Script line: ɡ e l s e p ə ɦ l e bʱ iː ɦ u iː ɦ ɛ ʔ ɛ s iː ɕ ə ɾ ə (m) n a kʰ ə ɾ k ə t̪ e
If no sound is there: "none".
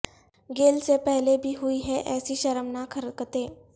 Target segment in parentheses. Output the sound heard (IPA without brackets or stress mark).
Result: m